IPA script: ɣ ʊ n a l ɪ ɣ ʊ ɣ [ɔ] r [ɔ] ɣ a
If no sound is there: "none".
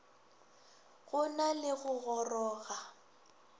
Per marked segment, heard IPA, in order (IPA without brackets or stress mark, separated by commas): ɔ, ɔː